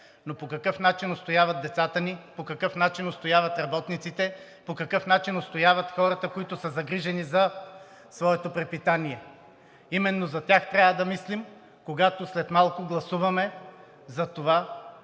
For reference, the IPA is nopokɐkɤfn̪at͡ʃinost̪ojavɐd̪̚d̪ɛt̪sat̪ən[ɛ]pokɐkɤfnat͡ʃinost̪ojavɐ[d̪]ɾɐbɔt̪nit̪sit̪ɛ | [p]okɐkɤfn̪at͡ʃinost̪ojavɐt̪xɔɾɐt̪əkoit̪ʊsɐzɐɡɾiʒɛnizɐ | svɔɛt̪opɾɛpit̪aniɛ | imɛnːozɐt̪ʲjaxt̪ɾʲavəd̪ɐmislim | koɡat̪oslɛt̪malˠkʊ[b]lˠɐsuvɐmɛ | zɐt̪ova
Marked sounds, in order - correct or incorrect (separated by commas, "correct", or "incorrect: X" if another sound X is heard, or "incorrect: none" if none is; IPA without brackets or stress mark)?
incorrect: i, incorrect: t̪, correct, incorrect: ɡ